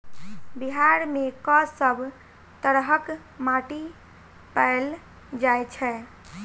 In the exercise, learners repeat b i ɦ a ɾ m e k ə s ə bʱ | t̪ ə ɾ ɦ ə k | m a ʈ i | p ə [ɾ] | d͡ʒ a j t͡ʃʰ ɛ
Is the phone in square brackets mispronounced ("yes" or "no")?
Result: yes